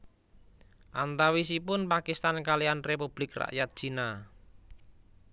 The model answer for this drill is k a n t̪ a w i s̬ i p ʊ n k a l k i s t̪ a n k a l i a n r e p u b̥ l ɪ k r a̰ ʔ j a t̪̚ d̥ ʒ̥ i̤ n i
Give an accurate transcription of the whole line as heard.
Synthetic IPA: ʔ a n t̪ a w i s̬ i p ʊ n p a k i s t̪ a n k a l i a n r e p u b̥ l ɪ k r a̰ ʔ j a t̪̚ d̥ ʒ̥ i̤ n a